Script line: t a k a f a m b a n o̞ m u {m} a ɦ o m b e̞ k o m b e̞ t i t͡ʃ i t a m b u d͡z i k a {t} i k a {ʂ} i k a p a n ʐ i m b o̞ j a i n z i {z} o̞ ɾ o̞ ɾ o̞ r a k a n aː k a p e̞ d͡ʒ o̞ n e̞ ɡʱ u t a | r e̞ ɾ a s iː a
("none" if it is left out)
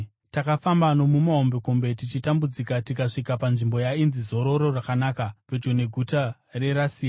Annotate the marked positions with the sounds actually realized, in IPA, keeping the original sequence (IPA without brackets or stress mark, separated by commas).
m, t, ʂ, z